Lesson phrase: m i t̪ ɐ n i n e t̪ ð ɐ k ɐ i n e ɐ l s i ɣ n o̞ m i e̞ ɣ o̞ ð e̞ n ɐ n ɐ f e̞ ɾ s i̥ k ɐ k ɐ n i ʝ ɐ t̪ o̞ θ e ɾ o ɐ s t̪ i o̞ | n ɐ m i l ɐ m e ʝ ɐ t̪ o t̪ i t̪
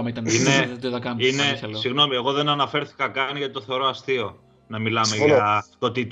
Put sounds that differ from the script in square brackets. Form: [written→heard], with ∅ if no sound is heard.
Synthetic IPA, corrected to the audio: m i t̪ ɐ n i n e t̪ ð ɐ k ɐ i n e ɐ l s i ɣ n o̞ m i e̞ ɣ o̞ ð e̞ n ɐ n ɐ f e̞ ɾ [s→θ] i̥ k ɐ k ɐ n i ʝ ɐ t̪ o̞ θ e ɾ o ɐ s t̪ i o̞ | n ɐ m i l ɐ m e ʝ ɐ t̪ o t̪ i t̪